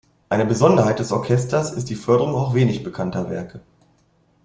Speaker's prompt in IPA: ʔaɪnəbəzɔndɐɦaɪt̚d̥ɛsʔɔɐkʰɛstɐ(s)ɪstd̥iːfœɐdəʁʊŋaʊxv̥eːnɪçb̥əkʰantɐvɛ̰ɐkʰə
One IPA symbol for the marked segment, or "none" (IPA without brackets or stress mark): s